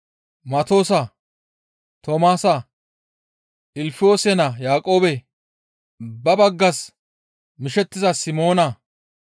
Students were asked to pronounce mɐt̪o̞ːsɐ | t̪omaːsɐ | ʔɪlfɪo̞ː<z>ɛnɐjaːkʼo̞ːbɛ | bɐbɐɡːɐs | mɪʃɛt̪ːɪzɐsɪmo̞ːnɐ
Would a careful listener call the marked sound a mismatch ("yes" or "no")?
yes